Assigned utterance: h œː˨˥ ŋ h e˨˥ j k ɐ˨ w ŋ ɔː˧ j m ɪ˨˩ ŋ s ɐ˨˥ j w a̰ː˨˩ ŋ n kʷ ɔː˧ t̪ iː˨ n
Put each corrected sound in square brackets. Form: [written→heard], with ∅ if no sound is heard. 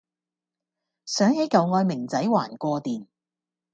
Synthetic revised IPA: [h→s] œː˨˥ ŋ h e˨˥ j k ɐ˨ w ŋ ɔː˧ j m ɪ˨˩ ŋ [s→t͡s] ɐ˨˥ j w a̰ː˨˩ [ŋ→∅] n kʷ ɔː˧ t̪ iː˨ n